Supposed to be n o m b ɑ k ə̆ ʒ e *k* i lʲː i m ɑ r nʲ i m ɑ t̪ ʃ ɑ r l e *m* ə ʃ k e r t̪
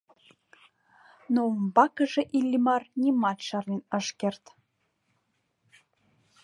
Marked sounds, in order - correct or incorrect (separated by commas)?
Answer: incorrect, incorrect